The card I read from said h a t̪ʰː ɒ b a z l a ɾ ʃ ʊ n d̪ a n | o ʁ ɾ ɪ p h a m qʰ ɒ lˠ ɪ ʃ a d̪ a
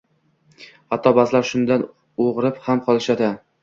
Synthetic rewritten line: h a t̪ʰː ɒ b a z l a ɾ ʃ ʊ n d̪ a n | o ʁ ɾ ɪ p h a m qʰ ɒ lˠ ɪ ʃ a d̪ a